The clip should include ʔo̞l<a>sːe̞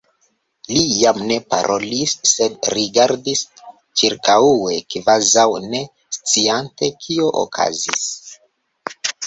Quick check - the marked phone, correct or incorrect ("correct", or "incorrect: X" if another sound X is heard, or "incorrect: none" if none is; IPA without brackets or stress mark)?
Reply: incorrect: i